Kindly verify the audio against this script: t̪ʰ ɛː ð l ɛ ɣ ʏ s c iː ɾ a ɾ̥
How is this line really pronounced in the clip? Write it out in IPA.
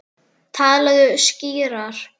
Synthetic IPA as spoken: t̪ʰ aː ð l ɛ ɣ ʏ s c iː ɾ a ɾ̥